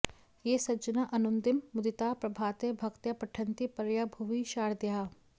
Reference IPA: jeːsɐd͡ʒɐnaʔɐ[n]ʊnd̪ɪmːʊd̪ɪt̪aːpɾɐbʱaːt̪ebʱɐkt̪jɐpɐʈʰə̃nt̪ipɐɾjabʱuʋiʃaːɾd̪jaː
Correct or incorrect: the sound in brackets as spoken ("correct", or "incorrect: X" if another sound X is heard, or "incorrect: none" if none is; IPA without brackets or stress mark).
correct